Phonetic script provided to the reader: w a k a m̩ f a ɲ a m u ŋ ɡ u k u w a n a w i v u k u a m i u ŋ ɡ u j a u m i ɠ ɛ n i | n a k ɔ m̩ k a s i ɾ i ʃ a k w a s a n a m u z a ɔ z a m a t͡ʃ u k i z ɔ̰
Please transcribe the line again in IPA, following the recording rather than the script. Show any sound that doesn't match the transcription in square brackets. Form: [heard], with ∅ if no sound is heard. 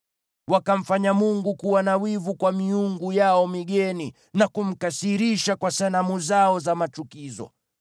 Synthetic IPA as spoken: w a k a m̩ f a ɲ a m u ŋ ɡ u k u w a n a w i v u k [w] a m i u ŋ ɡ u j a [ɔ] m i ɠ ɛ n i | n a k [u] m̩ k a s i ɾ i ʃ a k w a s a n a m u z a ɔ z a m a t͡ʃ u k i z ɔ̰

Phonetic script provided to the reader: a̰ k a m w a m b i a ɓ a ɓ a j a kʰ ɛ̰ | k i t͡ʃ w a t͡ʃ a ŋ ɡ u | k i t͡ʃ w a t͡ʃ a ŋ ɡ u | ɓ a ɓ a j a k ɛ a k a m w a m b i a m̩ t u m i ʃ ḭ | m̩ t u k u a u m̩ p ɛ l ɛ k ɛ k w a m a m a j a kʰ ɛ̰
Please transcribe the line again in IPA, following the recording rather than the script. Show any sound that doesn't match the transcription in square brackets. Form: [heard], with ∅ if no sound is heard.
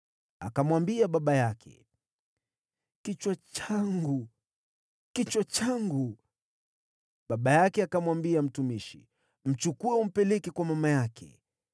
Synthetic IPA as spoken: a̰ k a m w a m b i a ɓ a ɓ a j a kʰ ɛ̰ | k i t͡ʃ w a t͡ʃ a ŋ ɡ u | k i t͡ʃ w a t͡ʃ a ŋ ɡ u | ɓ a ɓ a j a k ɛ a k a m w a m b i a m̩ t u m i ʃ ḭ | m̩ [t͡ʃ] u k u [ɛ] u m̩ p ɛ l ɛ k ɛ k w a m a m a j a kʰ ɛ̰

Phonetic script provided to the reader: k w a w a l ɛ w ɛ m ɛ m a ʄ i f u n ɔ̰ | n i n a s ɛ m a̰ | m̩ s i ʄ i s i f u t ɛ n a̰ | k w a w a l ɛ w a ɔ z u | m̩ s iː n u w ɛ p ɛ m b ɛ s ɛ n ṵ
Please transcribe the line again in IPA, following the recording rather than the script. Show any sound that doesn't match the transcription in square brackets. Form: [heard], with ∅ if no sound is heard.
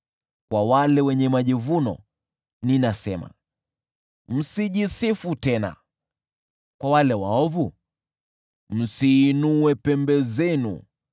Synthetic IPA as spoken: k w a w a l ɛ w ɛ [ɲ] ɛ m a ʄ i [v] u n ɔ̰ | n i n a s ɛ m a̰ | m̩ s i ʄ i s i f u t ɛ n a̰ | k w a w a l ɛ w a ɔ [v] u | m̩ s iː n u w ɛ p ɛ m b ɛ [z] ɛ n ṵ

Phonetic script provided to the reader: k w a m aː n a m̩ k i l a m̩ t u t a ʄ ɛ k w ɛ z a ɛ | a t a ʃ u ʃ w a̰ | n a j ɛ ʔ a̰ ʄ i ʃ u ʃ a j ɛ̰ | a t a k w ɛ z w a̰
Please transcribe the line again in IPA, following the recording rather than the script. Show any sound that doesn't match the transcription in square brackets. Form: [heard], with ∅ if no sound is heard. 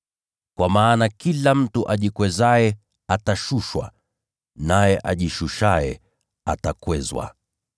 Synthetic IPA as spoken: k w a m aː n a [∅] k i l a m̩ t u [ʔ] a ʄ [i] k w ɛ z a ɛ | a t a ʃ u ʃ w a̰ | n a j ɛ ʔ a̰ ʄ i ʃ u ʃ a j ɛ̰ | a t a k w ɛ z w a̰

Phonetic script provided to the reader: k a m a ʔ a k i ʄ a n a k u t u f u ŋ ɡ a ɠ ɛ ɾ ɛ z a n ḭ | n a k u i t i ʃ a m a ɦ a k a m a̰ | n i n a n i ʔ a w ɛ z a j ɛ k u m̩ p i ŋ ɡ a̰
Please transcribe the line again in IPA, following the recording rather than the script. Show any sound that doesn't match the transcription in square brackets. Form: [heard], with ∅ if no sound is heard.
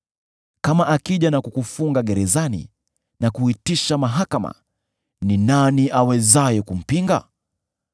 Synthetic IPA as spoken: k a m a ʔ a k i ʄ a n a k u [k] u f u ŋ ɡ a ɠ ɛ ɾ ɛ z a n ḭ | n a k u i t i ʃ a m a ɦ a k a m a̰ | n i n a n i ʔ a w ɛ z a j ɛ k u m̩ p i ŋ ɡ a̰

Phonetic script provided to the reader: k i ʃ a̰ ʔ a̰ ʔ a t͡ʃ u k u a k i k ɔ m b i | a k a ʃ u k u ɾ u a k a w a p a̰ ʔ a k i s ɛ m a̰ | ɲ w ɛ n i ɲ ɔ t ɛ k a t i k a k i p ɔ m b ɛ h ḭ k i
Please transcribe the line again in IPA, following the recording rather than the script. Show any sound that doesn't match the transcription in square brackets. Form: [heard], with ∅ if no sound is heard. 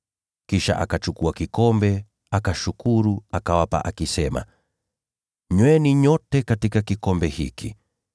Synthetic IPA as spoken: k i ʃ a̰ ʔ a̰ [k] a t͡ʃ u k u a k i k ɔ m b [ɛ] | a k a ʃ u k u ɾ u a k a w a p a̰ ʔ a k i s ɛ m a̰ | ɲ w ɛ n i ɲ ɔ t ɛ k a t i k a k i [k] ɔ m b ɛ h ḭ k i

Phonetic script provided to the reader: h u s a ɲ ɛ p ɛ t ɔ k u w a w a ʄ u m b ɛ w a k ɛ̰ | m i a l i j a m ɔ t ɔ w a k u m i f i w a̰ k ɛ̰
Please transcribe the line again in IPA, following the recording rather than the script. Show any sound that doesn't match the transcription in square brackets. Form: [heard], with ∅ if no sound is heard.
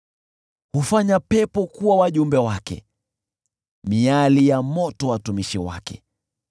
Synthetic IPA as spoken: h u [f] a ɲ [a] p ɛ [p] ɔ k u w a w a ʄ u m b ɛ w a k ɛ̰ | m i a l i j a m ɔ t ɔ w a [t] u m i [ʃ] i w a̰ k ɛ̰

